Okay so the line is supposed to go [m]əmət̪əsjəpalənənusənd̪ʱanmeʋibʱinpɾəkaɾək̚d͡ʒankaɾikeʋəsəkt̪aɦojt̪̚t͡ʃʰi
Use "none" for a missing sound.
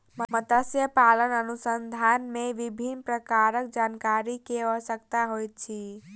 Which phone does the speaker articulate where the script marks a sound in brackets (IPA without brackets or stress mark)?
m